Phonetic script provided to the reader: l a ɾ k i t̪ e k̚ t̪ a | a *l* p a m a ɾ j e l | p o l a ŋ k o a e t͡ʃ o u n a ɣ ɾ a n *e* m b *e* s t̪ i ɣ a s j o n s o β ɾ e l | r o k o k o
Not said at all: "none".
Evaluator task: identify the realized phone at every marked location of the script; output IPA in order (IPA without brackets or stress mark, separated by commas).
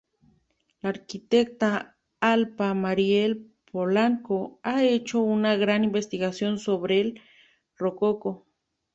l, i, e